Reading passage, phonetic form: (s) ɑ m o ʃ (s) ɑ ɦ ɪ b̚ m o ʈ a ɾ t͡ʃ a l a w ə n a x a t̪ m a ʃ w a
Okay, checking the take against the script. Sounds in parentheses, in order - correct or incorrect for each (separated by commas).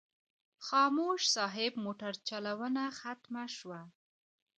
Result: incorrect, correct